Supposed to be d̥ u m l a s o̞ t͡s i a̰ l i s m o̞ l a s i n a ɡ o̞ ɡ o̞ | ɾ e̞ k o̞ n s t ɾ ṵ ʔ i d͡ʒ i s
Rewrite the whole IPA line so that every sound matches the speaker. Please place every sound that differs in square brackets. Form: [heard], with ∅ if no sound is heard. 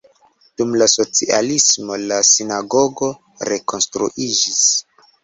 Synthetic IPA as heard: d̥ u m l a s o̞ t͡s i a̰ l i s m o̞ l a s i n a ɡ o̞ ɡ o̞ | ɾ e̞ k o̞ n s t ɾ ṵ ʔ i d͡ʒ i s